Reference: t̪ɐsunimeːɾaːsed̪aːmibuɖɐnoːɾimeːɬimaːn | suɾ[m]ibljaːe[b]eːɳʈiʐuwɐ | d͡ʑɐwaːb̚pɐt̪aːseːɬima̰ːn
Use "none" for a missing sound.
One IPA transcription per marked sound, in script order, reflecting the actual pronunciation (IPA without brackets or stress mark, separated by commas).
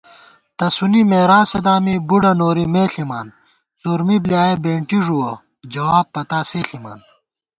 m, b